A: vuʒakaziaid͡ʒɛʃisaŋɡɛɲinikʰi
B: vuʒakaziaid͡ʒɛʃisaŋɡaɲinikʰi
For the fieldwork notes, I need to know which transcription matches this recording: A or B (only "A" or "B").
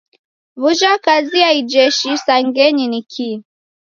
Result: A